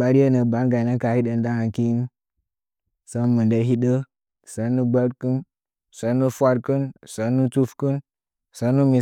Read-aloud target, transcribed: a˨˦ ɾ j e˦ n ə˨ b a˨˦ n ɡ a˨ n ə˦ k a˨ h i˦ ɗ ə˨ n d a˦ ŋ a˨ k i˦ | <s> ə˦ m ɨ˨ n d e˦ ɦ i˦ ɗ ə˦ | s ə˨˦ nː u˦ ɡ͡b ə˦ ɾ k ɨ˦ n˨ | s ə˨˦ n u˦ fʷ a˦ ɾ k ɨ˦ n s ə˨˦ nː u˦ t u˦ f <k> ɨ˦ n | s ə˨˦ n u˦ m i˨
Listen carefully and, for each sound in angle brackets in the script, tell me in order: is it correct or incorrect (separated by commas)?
correct, correct